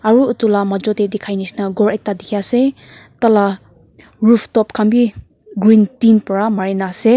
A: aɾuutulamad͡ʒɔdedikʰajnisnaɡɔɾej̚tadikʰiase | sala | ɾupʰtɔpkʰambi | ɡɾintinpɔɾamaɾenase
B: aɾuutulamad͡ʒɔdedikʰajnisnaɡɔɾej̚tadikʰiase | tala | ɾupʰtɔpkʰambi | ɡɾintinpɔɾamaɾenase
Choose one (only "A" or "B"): B